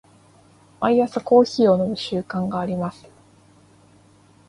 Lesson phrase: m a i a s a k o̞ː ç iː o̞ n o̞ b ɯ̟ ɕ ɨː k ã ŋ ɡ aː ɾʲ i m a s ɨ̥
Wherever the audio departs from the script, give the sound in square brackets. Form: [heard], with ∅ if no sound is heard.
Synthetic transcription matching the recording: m a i a s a k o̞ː ç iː o̞ n o̞ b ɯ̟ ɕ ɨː k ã ŋ ɡ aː ɾʲ i m a s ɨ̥